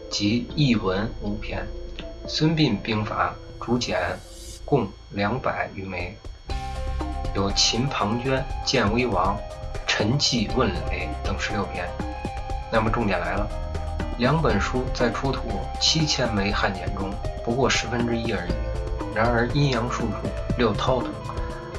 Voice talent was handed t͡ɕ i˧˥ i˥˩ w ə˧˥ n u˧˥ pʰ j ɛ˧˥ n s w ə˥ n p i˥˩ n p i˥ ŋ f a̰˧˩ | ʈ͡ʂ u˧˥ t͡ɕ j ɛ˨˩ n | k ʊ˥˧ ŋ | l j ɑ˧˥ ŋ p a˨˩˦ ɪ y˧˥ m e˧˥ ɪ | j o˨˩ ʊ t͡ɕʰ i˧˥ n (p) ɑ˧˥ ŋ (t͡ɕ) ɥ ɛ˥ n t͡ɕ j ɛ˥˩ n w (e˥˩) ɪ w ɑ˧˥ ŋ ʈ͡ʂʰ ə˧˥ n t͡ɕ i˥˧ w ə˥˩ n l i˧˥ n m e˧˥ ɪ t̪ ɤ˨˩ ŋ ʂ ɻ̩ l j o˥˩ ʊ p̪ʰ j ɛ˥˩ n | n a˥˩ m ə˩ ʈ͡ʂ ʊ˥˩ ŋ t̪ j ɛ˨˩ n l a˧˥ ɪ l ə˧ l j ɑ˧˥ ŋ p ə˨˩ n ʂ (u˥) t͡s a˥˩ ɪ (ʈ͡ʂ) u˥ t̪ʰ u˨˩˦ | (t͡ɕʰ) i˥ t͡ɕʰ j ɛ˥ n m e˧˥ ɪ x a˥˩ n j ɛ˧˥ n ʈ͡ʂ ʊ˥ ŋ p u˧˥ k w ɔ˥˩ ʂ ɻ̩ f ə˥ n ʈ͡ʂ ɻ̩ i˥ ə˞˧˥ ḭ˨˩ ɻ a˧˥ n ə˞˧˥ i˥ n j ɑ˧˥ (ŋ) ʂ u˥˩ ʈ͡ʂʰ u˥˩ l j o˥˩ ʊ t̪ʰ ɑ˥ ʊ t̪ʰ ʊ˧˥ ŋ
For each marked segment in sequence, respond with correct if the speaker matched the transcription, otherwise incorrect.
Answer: incorrect, correct, incorrect, correct, incorrect, correct, correct

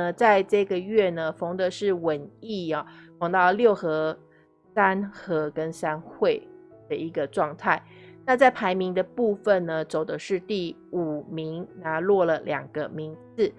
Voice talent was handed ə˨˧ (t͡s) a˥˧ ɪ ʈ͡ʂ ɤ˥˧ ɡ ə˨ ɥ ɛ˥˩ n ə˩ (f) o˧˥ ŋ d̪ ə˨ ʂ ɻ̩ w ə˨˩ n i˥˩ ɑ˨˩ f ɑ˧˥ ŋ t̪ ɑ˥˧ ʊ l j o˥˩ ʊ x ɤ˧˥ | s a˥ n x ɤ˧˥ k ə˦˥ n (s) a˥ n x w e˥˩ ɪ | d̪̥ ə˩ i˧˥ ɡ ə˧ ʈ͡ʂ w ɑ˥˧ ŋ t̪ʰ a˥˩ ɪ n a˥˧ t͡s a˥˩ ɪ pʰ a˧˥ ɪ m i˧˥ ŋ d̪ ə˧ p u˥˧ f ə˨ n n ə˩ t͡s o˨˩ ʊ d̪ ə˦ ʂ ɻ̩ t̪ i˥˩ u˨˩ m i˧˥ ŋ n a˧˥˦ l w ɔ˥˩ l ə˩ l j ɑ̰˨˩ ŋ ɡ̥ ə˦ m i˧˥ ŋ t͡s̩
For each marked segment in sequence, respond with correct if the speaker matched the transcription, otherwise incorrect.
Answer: correct, correct, correct

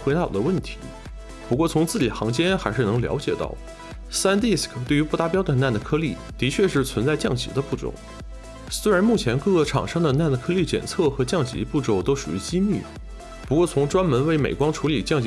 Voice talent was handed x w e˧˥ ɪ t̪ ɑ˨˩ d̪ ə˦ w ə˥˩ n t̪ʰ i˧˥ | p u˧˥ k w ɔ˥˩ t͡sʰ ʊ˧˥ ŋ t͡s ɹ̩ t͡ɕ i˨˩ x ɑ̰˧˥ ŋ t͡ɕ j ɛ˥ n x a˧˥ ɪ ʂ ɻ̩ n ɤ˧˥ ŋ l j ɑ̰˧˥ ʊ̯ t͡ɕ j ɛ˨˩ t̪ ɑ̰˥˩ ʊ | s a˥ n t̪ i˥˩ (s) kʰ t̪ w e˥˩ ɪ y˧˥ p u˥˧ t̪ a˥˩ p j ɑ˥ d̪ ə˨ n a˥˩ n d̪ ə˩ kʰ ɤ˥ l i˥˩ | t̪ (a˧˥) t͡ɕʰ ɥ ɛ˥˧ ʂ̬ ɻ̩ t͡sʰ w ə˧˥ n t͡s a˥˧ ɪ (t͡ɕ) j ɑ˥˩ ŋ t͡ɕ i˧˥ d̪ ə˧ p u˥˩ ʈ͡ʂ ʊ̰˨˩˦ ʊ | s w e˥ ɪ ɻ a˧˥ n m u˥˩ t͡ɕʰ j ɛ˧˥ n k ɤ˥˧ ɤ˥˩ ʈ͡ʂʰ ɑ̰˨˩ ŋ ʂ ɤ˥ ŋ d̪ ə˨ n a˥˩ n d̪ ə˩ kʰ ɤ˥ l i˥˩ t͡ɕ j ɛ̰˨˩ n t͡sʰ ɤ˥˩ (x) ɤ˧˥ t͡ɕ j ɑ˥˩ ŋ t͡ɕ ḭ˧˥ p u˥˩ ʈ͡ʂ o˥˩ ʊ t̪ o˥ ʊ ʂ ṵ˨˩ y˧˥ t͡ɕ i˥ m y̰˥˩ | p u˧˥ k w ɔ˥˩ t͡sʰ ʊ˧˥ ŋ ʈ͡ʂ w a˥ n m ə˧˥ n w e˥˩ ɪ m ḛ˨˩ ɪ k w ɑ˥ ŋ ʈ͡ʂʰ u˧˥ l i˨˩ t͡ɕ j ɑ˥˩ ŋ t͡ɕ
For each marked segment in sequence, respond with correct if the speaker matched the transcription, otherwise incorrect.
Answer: correct, incorrect, correct, correct

